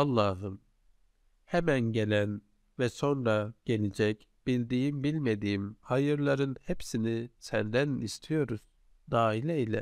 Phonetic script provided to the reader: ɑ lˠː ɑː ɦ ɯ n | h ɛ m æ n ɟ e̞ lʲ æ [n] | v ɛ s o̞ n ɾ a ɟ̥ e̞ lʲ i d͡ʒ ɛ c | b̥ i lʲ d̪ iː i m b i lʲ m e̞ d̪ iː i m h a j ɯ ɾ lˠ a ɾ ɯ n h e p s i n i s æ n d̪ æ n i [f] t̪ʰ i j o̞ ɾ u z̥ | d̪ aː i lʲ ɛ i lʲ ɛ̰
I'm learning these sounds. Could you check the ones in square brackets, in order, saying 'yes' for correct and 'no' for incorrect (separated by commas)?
yes, no